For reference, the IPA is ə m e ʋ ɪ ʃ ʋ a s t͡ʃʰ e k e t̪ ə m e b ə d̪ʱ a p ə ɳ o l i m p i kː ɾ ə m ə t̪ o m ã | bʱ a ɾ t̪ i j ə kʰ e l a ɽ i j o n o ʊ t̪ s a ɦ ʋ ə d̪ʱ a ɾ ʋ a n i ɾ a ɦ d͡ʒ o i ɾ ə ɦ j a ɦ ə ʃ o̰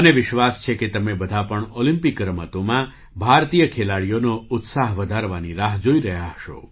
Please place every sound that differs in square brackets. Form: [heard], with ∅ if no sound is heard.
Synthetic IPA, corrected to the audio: ə [n] e ʋ ɪ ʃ ʋ a s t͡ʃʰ e k e t̪ ə m e b ə d̪ʱ a p ə ɳ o l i m p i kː ɾ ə m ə t̪ o m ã | bʱ a ɾ t̪ i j ə kʰ e l a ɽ i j o n o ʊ t̪ s a ɦ ʋ ə d̪ʱ a ɾ ʋ a n i ɾ a ɦ d͡ʒ o i ɾ ə ɦ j a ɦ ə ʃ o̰